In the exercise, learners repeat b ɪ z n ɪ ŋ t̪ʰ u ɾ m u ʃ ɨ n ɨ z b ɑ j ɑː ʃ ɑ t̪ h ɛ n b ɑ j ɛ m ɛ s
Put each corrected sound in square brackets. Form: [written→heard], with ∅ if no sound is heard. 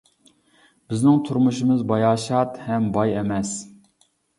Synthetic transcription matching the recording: b ɪ z n ɪ ŋ t̪ʰ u ɾ m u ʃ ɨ [n→m] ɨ z b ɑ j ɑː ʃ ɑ t̪ h ɛ [n→m] b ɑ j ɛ m ɛ s

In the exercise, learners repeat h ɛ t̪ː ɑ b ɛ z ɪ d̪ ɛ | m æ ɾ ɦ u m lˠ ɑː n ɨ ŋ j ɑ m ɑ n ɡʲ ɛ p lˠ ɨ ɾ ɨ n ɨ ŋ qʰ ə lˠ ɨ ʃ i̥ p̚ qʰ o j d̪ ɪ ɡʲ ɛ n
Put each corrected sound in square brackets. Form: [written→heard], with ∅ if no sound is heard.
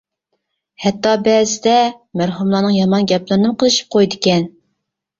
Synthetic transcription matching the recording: h ɛ t̪ː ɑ b ɛ z ɪ d̪ ɛ | m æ ɾ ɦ u m lˠ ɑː n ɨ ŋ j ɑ m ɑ n ɡʲ ɛ p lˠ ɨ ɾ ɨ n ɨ [ŋ→m] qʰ ə lˠ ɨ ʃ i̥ p̚ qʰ o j d̪ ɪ [ɡʲ→kʲ] ɛ n

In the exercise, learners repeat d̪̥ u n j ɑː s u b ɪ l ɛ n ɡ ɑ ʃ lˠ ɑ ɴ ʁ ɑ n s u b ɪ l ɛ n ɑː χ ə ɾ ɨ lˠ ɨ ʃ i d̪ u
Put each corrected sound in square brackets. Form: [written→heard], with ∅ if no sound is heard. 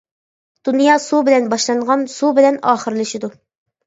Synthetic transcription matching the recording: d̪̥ u n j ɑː s u b ɪ l ɛ n [ɡ→b] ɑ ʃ lˠ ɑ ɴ ʁ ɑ n s u b ɪ l ɛ n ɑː χ ə ɾ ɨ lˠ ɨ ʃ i d̪ u

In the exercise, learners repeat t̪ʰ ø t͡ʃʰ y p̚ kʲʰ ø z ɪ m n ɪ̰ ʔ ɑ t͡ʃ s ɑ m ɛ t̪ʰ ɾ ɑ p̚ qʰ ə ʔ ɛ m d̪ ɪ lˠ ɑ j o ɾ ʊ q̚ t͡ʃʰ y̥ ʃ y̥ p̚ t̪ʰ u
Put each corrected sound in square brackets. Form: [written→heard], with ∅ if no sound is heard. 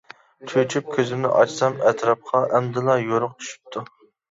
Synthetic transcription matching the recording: t̪ʰ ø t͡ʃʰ y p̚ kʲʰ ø z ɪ m n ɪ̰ ʔ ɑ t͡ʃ s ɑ m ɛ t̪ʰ ɾ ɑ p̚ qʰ [ə→ɑ] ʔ ɛ m d̪ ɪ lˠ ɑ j o ɾ ʊ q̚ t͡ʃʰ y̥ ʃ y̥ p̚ t̪ʰ u

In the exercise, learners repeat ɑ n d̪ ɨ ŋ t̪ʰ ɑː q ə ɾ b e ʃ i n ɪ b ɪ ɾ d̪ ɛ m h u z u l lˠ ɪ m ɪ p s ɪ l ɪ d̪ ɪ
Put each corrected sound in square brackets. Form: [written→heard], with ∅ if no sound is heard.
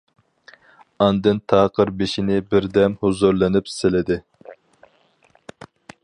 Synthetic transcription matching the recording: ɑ n d̪ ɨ [ŋ→n] t̪ʰ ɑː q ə ɾ b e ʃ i n ɪ b ɪ ɾ d̪ ɛ m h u z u [l→ɾ] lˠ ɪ [m→n] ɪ p s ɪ l ɪ d̪ ɪ

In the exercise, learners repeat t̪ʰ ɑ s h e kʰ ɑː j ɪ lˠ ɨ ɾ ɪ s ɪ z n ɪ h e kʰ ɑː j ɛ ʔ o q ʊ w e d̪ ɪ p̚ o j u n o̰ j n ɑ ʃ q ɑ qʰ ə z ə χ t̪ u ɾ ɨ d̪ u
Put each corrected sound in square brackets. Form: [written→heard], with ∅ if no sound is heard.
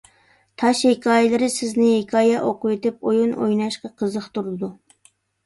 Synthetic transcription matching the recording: t̪ʰ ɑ [s→ʃ] h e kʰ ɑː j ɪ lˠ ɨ ɾ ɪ s ɪ z n ɪ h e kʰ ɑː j ɛ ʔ o q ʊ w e [d̪→t̪] ɪ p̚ o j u n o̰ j n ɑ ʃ q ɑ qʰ ə z ə χ t̪ u ɾ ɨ d̪ u

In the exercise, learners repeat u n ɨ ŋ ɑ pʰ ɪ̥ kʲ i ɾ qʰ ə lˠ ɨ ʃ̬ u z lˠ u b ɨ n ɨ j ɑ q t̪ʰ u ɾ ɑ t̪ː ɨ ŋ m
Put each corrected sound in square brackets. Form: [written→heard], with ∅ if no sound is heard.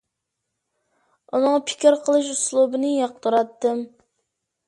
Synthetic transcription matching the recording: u n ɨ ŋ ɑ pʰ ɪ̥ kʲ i ɾ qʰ ə lˠ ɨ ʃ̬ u [z→s] lˠ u b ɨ n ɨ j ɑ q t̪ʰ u ɾ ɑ t̪ː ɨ [ŋ→∅] m

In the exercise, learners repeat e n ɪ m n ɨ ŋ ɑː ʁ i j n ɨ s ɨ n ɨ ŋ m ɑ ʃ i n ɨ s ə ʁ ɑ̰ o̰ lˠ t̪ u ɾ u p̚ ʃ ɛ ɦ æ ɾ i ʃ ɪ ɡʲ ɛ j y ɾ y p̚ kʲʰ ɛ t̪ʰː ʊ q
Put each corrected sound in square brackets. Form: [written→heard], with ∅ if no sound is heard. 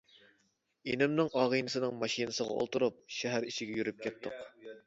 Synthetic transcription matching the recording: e n ɪ m n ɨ ŋ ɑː ʁ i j n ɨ s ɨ n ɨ ŋ m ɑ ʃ i n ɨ s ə ʁ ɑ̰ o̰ lˠ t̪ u ɾ u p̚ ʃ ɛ ɦ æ ɾ i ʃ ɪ ɡʲ ɛ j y ɾ y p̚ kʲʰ ɛ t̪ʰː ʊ q

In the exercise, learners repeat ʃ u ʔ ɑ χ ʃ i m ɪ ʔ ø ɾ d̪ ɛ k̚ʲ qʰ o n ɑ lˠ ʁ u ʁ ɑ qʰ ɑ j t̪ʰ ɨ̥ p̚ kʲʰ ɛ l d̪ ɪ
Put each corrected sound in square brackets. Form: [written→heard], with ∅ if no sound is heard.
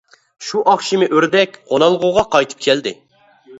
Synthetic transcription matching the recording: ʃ u ʔ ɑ χ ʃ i m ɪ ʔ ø ɾ d̪ ɛ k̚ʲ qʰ o n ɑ lˠ ʁ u ʁ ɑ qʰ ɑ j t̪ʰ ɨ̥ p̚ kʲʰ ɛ l d̪ ɪ

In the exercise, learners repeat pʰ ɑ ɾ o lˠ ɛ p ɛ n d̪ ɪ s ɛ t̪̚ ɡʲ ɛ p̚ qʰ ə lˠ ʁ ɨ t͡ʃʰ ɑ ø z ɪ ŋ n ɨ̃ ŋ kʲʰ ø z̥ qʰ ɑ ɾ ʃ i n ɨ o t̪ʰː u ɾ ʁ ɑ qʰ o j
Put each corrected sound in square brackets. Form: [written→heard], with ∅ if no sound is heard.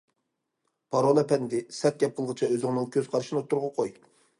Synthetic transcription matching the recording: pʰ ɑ ɾ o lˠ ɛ p ɛ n d̪ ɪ s ɛ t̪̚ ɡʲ ɛ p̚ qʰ ə lˠ ʁ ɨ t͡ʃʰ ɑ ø z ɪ ŋ n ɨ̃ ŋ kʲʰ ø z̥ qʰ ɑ ɾ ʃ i n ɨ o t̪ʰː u ɾ ʁ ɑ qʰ o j

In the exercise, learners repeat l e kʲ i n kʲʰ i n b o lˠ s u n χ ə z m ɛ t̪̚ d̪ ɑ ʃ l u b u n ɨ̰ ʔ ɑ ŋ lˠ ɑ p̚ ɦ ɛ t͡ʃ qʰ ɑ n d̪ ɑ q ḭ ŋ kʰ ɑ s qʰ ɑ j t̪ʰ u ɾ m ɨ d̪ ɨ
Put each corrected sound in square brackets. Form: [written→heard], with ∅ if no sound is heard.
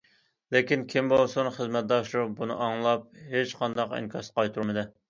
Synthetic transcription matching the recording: l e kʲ i n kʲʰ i [n→m] b o lˠ s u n χ ə z m ɛ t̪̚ d̪ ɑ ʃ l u b u n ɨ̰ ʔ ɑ ŋ lˠ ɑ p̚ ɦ [ɛ→e] t͡ʃ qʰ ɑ n d̪ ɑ q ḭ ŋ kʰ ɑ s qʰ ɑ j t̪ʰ u ɾ m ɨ d̪ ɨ

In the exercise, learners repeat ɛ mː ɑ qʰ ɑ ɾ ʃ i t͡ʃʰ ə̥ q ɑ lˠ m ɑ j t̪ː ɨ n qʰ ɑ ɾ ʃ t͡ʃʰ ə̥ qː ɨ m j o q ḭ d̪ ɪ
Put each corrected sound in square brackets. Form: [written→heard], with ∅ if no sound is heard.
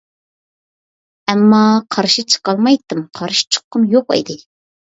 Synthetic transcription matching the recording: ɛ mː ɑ qʰ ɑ ɾ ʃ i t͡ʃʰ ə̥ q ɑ lˠ m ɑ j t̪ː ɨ [n→m] qʰ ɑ ɾ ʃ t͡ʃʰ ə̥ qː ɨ m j o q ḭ d̪ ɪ

